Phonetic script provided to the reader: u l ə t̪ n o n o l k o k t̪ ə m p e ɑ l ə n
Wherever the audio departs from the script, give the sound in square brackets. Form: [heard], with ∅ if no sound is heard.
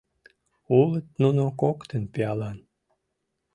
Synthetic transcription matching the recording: u l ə t̪ n [u] n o [∅] k o k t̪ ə [n] p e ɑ l [ɑ] n